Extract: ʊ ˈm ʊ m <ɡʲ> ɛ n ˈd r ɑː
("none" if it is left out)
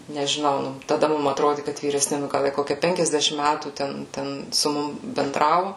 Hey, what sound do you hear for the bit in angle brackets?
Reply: bʲ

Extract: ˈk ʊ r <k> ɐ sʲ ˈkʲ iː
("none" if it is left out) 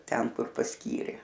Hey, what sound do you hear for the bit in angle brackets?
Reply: p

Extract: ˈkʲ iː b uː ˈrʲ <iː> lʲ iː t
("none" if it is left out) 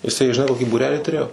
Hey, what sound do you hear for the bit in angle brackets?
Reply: æː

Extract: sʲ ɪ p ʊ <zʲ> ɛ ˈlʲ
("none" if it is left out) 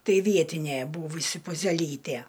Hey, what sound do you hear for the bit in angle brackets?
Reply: zʲ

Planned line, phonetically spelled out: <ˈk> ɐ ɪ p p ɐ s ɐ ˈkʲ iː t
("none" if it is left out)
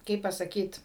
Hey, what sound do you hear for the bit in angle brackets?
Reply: k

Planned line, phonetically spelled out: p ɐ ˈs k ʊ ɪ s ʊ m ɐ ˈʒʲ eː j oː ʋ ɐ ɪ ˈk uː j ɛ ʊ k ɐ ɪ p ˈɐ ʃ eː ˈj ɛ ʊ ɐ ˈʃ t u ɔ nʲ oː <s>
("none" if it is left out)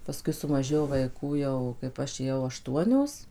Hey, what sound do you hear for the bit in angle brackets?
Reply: s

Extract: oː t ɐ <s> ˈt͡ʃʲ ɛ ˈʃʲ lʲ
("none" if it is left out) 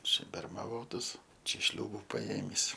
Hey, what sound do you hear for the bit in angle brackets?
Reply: s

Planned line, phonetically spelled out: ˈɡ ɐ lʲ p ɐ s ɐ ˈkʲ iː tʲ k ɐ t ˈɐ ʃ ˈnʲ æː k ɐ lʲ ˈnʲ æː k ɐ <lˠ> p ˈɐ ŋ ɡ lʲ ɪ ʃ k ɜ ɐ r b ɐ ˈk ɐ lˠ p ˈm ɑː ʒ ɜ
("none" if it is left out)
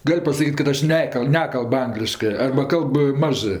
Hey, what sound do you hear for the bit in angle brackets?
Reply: lˠ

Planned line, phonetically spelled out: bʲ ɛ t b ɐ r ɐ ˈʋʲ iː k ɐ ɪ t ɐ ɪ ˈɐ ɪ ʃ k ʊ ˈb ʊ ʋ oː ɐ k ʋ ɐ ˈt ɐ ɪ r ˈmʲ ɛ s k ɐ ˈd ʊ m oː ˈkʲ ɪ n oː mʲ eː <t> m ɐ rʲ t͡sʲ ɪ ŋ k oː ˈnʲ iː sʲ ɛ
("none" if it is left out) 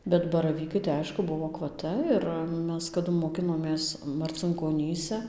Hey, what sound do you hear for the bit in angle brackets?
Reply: s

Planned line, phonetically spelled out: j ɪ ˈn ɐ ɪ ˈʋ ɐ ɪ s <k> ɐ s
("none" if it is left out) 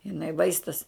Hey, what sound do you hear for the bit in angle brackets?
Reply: t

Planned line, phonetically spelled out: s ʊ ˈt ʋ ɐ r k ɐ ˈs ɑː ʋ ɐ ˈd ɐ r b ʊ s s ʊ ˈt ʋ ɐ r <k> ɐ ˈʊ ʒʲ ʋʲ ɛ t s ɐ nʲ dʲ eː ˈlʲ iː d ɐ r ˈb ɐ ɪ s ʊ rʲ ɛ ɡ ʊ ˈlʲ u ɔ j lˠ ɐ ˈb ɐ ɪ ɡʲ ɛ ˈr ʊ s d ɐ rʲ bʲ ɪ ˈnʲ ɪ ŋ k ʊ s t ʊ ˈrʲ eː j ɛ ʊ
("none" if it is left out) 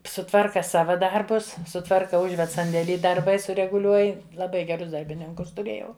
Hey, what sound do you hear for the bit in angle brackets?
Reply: k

